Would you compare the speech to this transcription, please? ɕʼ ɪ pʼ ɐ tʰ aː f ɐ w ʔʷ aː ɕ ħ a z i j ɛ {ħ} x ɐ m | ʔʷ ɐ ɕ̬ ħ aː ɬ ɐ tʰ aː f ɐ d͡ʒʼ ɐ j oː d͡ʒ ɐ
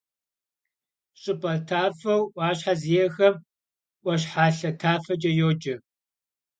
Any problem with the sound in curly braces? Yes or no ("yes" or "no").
yes